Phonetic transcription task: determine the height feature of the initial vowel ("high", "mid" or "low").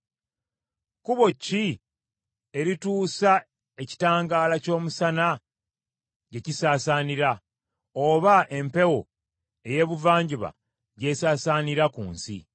high